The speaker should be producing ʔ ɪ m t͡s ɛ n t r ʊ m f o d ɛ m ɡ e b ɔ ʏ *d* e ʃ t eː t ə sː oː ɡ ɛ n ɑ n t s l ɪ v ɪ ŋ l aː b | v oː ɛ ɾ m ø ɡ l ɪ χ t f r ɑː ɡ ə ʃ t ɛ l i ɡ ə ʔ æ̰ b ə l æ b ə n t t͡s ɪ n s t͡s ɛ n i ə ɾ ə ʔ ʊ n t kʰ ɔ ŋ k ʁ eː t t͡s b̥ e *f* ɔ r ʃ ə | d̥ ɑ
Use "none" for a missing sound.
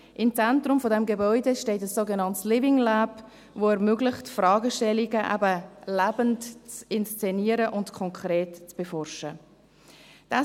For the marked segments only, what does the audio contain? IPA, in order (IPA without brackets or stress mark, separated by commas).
d, f